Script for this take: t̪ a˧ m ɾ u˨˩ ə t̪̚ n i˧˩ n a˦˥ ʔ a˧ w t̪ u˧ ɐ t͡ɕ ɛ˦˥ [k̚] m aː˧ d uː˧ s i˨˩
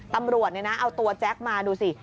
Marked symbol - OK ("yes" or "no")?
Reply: yes